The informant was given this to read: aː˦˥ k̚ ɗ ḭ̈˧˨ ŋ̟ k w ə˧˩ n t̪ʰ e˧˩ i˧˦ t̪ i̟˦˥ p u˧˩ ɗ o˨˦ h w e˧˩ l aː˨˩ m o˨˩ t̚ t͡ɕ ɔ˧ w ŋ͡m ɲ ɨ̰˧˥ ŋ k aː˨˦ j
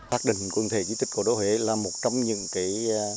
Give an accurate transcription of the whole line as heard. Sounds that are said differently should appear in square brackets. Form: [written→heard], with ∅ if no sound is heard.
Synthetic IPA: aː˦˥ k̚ ɗ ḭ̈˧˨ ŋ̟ k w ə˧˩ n t̪ʰ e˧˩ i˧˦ t̪ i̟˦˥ [p→k] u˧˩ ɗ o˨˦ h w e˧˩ l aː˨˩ m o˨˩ t̚ t͡ɕ ɔ˧ w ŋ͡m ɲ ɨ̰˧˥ ŋ k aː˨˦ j

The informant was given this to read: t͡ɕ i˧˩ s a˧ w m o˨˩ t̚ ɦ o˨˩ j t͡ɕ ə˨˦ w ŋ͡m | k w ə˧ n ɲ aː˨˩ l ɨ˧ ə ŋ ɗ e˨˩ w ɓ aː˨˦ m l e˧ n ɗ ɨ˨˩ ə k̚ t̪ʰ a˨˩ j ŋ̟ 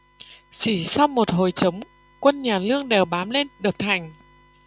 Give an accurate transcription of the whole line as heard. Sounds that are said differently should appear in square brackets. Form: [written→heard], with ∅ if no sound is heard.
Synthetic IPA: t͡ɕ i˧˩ s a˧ w m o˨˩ t̚ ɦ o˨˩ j t͡ɕ ə˨˦ w ŋ͡m | k w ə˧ n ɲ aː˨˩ l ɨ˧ ə ŋ ɗ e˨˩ w ɓ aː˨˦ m l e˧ n ɗ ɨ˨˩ ə k̚ t̪ʰ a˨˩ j ŋ̟

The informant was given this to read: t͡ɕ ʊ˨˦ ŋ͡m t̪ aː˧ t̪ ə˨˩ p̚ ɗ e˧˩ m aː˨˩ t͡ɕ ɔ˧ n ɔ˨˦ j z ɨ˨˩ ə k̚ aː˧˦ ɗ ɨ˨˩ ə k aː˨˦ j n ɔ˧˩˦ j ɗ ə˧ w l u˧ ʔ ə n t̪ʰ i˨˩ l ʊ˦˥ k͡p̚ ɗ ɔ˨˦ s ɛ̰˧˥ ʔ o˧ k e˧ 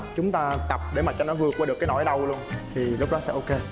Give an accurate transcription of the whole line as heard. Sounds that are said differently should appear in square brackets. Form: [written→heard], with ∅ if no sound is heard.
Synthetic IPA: t͡ɕ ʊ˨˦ ŋ͡m t̪ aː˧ t̪ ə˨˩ p̚ ɗ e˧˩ m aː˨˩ t͡ɕ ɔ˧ n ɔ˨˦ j [z→v] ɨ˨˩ ə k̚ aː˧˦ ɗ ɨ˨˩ ə k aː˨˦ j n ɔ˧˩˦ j ɗ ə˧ w l u˧ [ʔ→∅] ə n t̪ʰ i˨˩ l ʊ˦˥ k͡p̚ ɗ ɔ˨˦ s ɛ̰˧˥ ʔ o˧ k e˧

